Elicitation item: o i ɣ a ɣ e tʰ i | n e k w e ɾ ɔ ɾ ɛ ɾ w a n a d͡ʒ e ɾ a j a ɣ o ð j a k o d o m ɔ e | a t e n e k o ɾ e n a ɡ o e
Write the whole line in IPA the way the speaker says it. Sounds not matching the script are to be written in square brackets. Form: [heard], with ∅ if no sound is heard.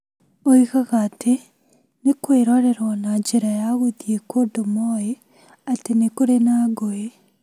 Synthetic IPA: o i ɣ a ɣ [a] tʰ [e] | n e k w e ɾ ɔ ɾ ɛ ɾ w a n a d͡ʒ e ɾ a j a ɣ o ð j [e] k o d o m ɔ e | a t e n e k o ɾ e n a ɡ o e